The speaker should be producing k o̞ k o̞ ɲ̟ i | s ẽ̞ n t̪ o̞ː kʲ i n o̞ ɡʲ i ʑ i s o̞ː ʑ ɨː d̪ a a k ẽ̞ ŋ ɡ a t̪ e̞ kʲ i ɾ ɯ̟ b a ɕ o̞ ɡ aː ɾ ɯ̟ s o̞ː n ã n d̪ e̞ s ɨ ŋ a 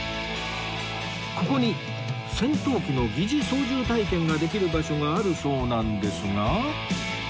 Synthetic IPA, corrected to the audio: k o̞ k o̞ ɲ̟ i | s ẽ̞ n t̪ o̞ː kʲ i n o̞ ɡʲ i ʑ i s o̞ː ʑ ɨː t̪ a i k ẽ̞ ŋ ɡ a d̪ e̞ kʲ i ɾ ɯ̟ b a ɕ o̞ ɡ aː ɾ ɯ̟ s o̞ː n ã n d̪ e̞ s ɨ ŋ a